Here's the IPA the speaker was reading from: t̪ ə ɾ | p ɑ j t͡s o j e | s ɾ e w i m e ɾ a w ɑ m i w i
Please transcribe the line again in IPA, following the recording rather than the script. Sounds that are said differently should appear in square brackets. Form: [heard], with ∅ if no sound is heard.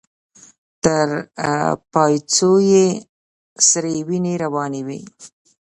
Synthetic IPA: t̪ ə ɾ | p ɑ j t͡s o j e | s ɾ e w i [n] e ɾ a w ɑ [n] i w i